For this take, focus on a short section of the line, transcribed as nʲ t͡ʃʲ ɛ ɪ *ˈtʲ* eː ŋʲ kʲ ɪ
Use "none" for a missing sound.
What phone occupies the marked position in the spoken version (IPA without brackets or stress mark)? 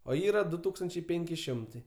pʲ